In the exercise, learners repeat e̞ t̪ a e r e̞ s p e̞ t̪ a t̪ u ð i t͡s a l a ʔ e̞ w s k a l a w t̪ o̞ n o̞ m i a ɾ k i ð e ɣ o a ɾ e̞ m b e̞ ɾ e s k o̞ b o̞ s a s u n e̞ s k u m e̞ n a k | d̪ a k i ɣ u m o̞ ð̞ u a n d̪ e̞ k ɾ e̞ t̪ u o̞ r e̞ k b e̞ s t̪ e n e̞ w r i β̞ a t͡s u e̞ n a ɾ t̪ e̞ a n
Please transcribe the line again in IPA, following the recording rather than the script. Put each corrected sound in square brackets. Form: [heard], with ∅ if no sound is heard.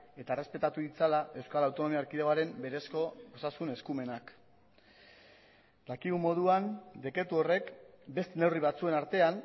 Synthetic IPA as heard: e̞ t̪ a e r e̞ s p e̞ t̪ a t̪ u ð i t͡s a l a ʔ e̞ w s k a l a w t̪ o̞ n o̞ m i a ɾ k i ð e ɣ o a ɾ e̞ m b e̞ ɾ e s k o̞ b o̞ s a s u n e̞ s k u m e̞ n a k | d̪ a k i ɣ u m o̞ ð̞ u a n d̪ e̞ k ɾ e̞ t̪ u o̞ r e̞ k b e̞ s t̪ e n e̞ w r i β̞ a t͡s u e̞ n a ɾ t̪ e̞ a n